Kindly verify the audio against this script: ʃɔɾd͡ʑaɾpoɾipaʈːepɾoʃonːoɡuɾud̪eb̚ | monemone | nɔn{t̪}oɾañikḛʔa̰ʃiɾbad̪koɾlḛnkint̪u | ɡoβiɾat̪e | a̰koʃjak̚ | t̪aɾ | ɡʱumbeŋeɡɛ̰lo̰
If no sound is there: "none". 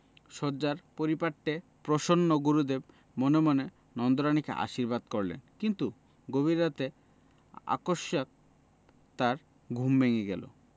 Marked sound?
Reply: d̪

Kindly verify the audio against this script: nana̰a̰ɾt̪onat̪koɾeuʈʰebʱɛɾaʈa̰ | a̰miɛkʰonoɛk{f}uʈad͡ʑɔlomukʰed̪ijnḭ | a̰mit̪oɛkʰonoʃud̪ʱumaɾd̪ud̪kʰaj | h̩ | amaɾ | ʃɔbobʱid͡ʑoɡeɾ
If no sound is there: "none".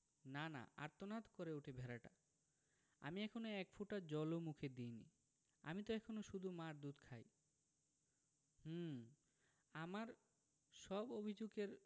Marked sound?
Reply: f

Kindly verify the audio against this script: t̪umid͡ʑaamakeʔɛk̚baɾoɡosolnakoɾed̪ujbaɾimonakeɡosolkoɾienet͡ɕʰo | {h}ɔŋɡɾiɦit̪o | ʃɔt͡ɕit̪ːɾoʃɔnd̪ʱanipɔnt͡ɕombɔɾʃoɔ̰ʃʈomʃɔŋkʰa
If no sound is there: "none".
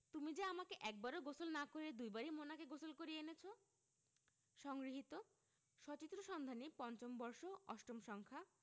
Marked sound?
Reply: ʃ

